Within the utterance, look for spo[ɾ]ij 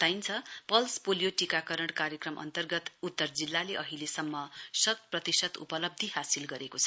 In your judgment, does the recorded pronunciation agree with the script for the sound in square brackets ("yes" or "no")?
no